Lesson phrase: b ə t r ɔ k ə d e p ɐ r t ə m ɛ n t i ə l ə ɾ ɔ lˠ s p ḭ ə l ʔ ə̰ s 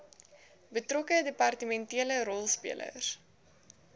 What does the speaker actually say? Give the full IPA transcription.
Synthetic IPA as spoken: b ə t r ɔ k ə d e p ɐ r t ə m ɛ n t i ə l ə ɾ ɔ lˠ s p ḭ ə l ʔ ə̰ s